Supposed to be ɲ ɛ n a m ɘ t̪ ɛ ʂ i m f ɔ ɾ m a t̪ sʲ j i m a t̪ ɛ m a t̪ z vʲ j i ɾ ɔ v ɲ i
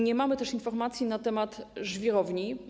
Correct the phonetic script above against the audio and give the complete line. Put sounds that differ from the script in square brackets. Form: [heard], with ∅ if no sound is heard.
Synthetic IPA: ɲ ɛ [m] a m ɘ t̪ ɛ ʂ i [n] f ɔ ɾ m a t̪ sʲ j i [n] a t̪ ɛ m a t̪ [ʐ] vʲ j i ɾ ɔ v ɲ i